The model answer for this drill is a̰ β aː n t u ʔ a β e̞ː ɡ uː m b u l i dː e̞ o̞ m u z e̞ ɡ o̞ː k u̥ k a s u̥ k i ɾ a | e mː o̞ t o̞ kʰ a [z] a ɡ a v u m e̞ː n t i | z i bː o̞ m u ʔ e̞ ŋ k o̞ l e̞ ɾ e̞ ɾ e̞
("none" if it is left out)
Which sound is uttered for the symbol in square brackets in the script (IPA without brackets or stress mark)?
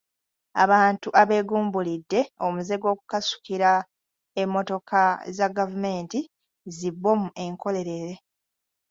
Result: z